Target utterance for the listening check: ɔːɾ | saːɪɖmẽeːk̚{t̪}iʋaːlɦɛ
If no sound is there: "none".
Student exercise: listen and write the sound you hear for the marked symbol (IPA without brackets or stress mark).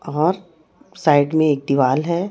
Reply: d̪